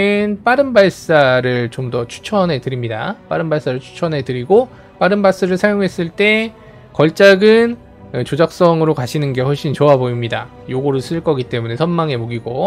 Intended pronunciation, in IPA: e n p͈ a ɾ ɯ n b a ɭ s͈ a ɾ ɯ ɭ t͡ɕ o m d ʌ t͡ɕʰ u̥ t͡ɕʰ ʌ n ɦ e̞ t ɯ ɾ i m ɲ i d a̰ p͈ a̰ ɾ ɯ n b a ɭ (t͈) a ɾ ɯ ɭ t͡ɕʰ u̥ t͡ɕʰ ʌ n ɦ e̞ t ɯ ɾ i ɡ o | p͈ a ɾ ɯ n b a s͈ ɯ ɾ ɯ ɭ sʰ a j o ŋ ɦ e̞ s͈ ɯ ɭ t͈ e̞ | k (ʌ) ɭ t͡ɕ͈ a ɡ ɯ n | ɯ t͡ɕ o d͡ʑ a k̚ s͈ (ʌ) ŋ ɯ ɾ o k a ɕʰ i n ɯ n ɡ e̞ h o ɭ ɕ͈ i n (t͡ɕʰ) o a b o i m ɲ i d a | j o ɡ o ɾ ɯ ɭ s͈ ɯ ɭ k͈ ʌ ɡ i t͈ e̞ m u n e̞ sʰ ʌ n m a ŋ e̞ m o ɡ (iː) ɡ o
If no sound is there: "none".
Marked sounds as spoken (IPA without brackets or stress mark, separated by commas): s͈, ʌ, ʌ, t͡ɕ, i